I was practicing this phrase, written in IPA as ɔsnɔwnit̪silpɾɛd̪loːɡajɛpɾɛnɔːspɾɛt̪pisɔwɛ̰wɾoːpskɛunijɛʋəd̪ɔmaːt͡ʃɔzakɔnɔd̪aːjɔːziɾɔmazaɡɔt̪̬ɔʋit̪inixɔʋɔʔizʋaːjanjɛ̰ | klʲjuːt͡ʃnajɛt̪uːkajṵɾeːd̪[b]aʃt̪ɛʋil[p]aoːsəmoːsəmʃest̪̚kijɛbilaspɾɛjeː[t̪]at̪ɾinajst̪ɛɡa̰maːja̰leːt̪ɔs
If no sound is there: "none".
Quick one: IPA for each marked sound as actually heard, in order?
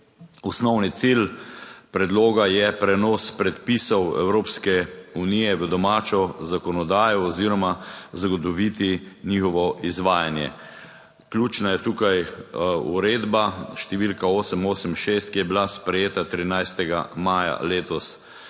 b, k, t̪

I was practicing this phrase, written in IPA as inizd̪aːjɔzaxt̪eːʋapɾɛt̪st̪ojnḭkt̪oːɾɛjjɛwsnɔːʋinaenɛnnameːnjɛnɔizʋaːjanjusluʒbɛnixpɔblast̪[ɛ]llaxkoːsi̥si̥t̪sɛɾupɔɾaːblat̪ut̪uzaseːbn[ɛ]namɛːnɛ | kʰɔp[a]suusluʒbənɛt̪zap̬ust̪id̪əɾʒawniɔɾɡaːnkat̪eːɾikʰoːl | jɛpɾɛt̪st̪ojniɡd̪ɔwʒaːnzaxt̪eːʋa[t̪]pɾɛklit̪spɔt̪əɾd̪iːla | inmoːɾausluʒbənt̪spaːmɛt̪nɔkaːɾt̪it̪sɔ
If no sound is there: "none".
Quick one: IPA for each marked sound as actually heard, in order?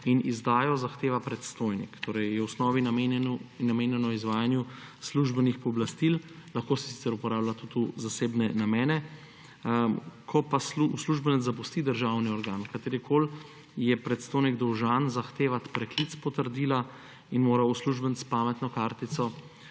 i, ɛ, a, t̪

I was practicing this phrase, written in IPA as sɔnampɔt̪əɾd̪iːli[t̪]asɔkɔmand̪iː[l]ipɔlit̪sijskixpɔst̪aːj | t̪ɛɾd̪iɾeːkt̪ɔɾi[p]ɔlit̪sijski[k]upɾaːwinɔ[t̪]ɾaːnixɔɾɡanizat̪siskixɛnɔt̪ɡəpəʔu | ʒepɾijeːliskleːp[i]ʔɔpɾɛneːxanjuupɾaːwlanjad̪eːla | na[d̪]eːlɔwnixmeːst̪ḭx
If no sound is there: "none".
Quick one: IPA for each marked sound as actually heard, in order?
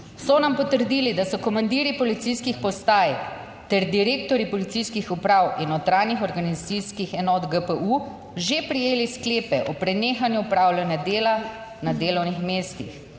d̪, ɾ, p, x, t̪, ɛ, d̪

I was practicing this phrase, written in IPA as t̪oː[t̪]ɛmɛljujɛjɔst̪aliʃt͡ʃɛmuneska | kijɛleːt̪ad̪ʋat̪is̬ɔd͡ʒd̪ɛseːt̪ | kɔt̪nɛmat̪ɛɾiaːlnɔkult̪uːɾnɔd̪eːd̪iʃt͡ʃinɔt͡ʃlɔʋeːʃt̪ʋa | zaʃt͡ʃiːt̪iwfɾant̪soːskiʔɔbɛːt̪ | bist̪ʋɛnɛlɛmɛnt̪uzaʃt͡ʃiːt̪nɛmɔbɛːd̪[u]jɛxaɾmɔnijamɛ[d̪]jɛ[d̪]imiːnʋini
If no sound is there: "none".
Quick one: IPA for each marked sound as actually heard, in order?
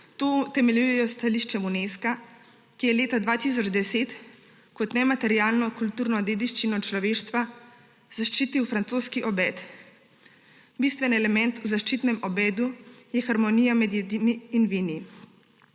t̪, u, d̪, d̪

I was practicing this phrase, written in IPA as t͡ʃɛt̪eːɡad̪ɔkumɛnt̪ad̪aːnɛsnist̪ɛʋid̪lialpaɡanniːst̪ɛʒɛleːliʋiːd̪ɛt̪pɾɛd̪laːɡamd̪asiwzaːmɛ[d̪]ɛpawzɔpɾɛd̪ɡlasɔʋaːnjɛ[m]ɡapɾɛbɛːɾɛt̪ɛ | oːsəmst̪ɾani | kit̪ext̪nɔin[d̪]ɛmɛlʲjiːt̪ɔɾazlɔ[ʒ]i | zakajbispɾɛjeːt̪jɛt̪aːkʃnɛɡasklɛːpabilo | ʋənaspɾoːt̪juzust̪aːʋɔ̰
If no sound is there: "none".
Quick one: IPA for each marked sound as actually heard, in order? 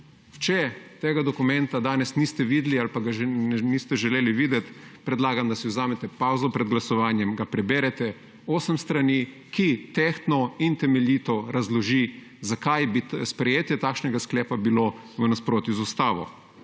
t̪, m, t̪, ʒ

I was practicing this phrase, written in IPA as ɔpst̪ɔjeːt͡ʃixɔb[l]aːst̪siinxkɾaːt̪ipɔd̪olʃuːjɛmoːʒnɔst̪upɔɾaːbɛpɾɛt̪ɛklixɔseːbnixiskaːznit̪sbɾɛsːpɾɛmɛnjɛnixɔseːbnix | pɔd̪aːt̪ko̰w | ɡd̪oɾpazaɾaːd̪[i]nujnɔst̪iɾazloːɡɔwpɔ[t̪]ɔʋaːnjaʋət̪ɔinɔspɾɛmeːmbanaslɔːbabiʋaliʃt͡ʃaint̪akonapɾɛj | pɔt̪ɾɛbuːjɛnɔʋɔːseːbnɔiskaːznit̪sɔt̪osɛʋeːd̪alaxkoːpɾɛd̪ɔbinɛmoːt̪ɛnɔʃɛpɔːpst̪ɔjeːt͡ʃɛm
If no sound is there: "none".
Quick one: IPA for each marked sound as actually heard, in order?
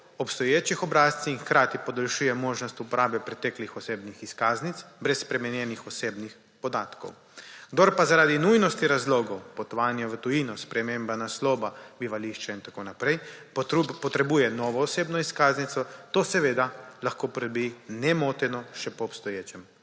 ɾ, i, t̪

